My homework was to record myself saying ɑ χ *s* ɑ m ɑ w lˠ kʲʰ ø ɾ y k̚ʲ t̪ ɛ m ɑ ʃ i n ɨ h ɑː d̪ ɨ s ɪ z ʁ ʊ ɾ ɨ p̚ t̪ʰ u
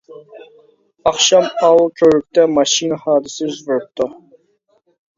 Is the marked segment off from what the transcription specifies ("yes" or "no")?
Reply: yes